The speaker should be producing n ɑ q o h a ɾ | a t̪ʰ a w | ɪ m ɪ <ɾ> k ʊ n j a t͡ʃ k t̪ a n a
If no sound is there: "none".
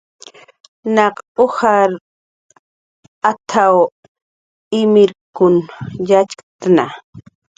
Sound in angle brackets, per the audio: ɾ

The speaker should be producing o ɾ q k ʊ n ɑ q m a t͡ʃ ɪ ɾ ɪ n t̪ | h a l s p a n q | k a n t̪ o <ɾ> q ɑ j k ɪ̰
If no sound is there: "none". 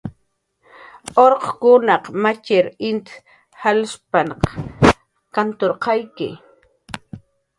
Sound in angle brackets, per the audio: ɾ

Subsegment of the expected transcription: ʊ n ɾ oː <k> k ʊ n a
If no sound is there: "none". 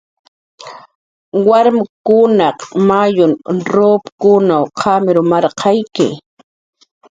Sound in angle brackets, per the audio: p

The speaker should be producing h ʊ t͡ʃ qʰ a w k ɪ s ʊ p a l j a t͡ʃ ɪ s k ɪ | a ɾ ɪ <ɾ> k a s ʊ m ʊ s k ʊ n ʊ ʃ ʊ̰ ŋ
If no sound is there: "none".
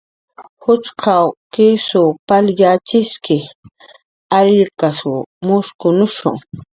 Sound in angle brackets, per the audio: ɾ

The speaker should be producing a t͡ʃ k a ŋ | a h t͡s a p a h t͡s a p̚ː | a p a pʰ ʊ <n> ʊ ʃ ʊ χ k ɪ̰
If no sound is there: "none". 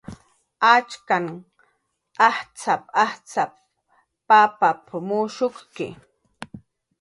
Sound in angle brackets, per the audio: m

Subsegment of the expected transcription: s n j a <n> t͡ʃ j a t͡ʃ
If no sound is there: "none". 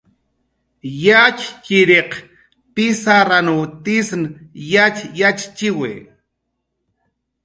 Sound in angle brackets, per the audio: none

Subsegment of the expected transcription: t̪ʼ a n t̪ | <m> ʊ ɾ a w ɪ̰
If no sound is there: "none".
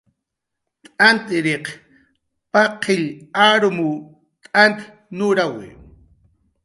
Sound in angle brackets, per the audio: n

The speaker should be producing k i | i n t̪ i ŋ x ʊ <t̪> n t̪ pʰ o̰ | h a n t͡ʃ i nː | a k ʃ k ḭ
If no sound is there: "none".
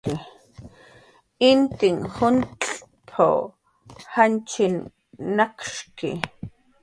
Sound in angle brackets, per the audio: none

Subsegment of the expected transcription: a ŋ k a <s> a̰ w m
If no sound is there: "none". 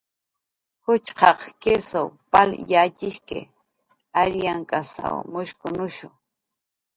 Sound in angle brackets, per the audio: s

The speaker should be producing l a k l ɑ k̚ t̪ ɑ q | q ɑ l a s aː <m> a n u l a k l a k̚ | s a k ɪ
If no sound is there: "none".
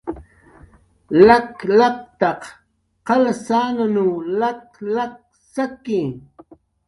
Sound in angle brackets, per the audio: n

